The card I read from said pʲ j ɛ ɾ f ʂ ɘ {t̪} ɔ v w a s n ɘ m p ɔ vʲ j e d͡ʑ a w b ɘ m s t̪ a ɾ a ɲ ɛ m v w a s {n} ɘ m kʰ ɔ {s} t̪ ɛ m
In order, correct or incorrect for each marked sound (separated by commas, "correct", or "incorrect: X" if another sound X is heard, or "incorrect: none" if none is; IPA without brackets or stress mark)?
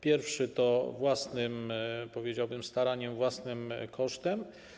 correct, correct, incorrect: ʂ